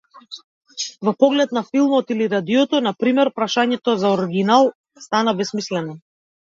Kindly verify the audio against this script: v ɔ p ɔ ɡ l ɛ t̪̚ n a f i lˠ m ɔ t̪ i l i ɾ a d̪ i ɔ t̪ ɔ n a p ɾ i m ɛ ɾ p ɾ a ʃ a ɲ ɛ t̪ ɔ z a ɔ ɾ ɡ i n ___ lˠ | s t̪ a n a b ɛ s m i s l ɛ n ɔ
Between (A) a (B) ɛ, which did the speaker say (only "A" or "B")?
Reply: A